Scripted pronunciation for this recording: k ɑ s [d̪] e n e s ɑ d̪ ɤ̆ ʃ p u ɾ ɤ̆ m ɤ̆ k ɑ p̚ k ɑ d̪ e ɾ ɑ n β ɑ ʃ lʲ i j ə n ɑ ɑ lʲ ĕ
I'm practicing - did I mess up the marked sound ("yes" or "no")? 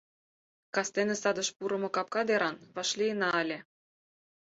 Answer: yes